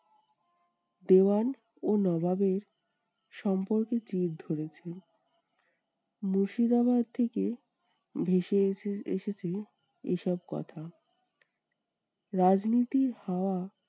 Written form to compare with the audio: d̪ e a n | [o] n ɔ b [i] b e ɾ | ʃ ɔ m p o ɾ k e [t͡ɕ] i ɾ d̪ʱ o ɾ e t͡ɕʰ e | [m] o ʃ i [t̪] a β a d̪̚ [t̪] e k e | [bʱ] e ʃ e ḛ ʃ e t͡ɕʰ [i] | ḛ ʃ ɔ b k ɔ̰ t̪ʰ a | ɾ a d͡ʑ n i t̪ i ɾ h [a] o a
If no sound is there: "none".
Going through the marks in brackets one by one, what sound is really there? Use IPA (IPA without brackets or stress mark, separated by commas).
o, a, t͡ɕ, m, d̪, t̪ʰ, bʱ, e, a